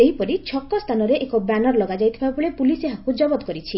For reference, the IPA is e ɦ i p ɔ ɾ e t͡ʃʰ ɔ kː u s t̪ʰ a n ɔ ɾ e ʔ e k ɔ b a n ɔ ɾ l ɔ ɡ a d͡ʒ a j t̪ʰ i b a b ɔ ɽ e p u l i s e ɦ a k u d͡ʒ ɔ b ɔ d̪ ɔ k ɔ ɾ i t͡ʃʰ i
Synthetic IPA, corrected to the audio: e ɦ i p ɔ ɾ i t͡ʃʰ ɔ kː ɔ s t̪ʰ a n ɔ ɾ e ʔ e k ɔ b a n ɔ ɾ l ɔ ɡ a d͡ʒ a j t̪ʰ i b a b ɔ ɭ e p u l i s e ɦ a k u d͡ʒ ɔ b ɔ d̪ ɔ k ɔ ɾ i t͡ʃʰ i